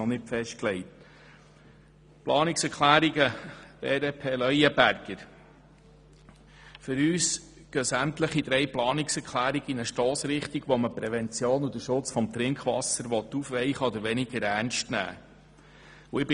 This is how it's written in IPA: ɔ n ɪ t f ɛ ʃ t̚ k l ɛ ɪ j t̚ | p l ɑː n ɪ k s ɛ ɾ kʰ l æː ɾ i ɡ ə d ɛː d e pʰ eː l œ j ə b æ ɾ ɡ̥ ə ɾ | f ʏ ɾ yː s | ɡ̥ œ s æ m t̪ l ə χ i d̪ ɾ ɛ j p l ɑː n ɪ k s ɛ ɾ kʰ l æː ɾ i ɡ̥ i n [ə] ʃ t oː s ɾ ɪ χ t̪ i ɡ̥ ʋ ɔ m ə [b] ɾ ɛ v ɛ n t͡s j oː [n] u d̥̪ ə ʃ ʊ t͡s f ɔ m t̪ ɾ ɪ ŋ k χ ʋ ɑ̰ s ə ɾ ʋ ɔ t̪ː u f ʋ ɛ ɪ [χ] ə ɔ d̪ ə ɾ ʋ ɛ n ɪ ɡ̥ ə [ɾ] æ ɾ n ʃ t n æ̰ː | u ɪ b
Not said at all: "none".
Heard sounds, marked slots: ə, p, n, χ, ɾ

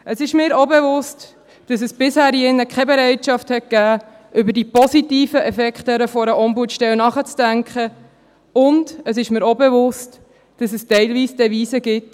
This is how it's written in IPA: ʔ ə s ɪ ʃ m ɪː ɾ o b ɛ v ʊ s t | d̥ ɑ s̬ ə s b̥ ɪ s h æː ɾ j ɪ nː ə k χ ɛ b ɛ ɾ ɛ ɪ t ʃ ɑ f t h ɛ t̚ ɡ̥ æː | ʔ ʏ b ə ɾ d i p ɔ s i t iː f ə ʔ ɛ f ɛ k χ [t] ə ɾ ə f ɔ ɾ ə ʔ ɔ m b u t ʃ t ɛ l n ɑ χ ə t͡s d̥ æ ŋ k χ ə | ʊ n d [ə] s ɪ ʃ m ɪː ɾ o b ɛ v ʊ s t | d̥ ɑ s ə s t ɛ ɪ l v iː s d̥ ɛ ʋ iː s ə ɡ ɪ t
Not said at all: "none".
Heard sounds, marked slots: t, ə

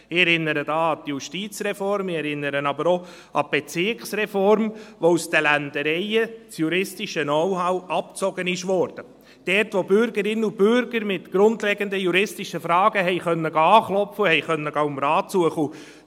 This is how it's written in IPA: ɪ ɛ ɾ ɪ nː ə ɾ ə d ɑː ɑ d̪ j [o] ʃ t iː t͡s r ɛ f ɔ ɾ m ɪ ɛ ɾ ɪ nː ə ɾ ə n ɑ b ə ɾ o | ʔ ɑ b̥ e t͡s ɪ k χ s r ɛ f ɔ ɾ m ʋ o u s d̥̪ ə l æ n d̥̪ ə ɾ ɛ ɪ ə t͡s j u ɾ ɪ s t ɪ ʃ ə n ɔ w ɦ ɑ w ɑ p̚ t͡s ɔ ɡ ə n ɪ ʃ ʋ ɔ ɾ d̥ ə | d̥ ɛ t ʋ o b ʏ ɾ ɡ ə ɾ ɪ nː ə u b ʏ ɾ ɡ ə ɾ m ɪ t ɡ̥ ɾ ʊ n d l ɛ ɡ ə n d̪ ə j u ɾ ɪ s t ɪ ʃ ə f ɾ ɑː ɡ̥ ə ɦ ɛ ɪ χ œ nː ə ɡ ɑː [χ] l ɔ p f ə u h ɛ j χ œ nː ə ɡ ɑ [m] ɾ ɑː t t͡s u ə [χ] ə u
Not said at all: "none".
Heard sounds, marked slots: u, χ, m, χ

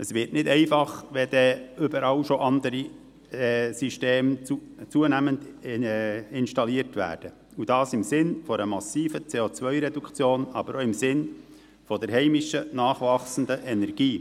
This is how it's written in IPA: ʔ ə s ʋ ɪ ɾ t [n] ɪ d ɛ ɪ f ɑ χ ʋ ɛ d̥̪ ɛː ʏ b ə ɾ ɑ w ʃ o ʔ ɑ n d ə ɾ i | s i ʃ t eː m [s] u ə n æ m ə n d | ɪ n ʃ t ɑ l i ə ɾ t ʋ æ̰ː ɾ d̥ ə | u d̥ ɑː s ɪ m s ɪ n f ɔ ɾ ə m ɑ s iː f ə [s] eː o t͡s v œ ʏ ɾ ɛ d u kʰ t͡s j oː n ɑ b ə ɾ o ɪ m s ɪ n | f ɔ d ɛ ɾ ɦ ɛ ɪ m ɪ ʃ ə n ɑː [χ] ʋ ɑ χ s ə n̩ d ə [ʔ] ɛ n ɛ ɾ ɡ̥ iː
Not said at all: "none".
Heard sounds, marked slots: n, t͡s, t͡s, χ, ʔ

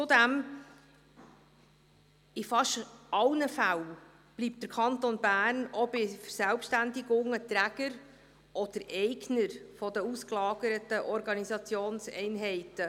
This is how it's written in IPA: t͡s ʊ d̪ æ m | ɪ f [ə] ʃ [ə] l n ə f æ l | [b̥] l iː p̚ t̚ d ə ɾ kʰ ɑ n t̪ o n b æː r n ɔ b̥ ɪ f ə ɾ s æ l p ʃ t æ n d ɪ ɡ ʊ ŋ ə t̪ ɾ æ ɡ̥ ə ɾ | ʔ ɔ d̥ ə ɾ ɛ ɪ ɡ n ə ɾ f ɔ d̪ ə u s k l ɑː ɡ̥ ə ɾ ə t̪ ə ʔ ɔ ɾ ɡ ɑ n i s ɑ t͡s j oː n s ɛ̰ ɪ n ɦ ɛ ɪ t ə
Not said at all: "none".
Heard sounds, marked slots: ɑ, ɑ, b̥

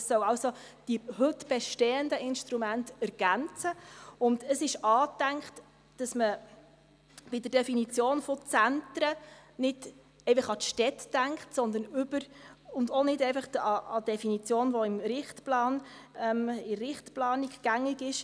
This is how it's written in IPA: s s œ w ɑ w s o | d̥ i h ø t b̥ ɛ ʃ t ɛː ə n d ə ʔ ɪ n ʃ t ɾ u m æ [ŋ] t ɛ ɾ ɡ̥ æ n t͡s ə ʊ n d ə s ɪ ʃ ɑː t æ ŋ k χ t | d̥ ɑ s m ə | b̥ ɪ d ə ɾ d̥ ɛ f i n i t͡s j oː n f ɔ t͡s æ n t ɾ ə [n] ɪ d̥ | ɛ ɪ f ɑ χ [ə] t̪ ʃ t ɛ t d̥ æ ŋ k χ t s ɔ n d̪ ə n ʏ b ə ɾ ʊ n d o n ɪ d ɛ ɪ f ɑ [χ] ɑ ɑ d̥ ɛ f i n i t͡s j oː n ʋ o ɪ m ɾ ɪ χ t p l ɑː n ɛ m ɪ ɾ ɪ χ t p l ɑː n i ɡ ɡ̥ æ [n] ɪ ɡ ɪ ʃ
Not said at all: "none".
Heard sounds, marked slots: n, n, ɑ, χ, ŋ

